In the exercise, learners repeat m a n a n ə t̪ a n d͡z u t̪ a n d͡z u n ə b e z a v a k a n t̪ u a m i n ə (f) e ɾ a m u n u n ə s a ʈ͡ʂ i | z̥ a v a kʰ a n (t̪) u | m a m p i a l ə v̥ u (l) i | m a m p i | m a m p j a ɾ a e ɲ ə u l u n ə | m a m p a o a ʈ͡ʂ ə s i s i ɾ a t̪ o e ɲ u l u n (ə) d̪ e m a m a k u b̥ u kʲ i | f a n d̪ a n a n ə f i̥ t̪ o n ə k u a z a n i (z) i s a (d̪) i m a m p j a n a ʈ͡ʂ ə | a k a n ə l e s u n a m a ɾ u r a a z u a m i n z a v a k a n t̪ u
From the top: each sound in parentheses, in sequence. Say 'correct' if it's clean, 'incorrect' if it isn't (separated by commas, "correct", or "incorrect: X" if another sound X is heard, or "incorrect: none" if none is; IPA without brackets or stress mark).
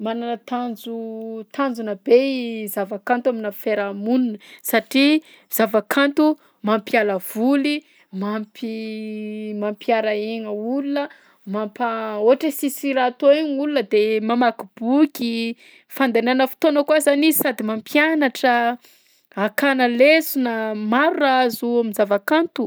correct, correct, correct, correct, correct, correct